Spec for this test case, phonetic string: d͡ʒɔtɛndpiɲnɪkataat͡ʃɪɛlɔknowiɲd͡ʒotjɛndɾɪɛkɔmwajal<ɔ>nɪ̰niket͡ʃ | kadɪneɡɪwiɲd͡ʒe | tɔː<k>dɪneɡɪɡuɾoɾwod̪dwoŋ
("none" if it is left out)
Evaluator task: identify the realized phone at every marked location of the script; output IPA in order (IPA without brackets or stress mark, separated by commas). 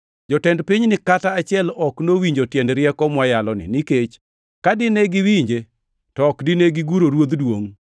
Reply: ɔ, k